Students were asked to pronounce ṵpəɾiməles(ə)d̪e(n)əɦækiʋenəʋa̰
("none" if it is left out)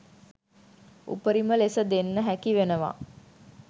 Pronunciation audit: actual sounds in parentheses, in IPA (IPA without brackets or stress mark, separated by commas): ə, nː